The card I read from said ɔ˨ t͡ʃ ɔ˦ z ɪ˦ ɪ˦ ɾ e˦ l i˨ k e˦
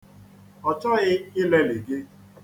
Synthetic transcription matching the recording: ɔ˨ t͡ʃ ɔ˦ ɣ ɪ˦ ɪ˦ l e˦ l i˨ ɡ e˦